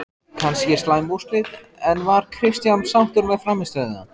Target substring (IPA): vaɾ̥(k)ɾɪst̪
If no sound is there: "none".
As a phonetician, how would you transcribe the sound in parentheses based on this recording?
kʰ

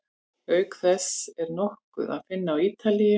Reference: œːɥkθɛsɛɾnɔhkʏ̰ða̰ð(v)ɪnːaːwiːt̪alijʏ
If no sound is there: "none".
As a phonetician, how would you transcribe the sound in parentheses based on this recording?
f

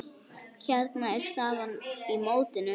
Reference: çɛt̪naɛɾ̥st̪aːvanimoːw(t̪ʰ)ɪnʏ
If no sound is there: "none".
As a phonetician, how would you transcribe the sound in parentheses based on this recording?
t̪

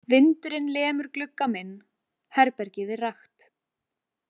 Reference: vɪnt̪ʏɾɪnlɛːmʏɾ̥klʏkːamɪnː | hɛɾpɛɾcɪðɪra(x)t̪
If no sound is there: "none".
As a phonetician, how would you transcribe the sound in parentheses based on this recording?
x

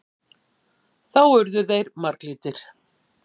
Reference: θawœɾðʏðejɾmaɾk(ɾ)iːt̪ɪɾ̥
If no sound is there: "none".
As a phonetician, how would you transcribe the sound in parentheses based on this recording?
l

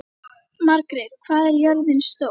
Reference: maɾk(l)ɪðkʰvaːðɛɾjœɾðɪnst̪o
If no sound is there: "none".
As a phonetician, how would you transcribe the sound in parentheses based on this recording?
ɾ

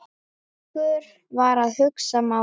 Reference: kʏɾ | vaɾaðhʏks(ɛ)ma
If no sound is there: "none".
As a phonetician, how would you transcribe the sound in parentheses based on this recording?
a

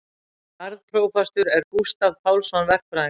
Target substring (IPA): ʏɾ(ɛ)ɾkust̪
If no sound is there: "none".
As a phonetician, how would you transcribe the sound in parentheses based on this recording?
ɛ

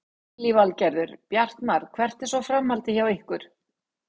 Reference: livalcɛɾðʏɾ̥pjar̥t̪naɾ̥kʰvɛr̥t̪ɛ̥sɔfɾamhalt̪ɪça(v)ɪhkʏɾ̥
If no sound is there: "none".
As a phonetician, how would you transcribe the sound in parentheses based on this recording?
w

